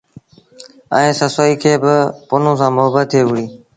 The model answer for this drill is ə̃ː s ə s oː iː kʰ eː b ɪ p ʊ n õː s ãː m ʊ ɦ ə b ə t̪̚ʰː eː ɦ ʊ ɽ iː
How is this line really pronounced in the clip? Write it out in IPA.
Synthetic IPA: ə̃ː s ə s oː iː kʰ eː b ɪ p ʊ n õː s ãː m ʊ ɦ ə b ə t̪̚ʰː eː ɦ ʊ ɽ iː